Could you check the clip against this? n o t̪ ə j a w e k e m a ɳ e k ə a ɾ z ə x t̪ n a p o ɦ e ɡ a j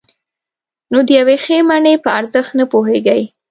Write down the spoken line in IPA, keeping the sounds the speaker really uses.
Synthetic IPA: n o d̪ ə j a w e x e m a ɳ e p ə a ɾ z ə x t̪ n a p o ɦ e ɡ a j